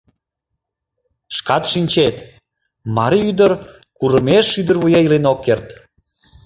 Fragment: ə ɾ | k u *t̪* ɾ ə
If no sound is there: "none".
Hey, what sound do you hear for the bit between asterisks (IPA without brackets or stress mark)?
none